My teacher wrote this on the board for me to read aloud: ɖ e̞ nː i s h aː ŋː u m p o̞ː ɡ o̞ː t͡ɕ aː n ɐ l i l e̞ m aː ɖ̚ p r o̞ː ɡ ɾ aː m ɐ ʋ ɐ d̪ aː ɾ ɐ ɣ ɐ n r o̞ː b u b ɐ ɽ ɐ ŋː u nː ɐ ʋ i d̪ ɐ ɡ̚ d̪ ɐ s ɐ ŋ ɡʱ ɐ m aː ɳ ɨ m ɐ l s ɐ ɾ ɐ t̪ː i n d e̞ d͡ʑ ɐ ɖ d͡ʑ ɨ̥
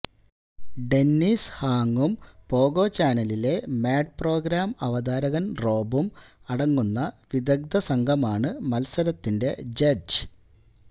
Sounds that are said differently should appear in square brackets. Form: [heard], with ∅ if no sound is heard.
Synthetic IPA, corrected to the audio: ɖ e̞ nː i s h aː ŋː u m p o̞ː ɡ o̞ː t͡ɕ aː n ɐ l i l e̞ m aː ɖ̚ p r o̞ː ɡ ɾ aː m ɐ ʋ ɐ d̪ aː ɾ ɐ ɣ ɐ n r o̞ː b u [m] ɐ ɽ ɐ ŋː u nː ɐ ʋ i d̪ ɐ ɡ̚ d̪ ɐ s ɐ ŋ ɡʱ ɐ m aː ɳ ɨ m ɐ l s ɐ ɾ ɐ t̪ː i n d e̞ d͡ʑ ɐ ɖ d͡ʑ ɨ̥